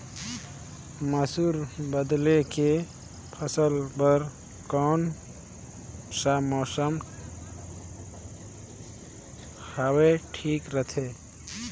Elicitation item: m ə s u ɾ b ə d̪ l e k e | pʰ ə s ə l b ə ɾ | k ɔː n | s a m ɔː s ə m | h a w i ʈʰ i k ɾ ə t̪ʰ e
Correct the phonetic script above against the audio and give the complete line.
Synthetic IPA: m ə s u ɾ b ə d̪ l e k e | pʰ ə s ə l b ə ɾ | k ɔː n | s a m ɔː s ə m | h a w e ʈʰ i k ɾ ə t̪ʰ e